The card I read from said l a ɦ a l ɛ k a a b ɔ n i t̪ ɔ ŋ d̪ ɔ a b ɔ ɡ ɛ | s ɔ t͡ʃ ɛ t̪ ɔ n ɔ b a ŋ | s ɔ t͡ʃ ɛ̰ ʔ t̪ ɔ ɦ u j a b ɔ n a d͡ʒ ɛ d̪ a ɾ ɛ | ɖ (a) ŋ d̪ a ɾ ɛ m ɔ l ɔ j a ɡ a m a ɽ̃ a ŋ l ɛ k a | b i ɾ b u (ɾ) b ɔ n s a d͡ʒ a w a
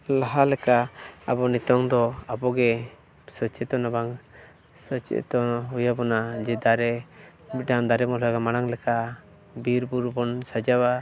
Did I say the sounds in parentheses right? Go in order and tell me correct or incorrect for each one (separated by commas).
correct, correct